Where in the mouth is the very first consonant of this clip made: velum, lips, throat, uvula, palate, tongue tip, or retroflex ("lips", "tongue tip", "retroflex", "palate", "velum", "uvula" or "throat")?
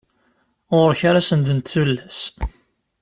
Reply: uvula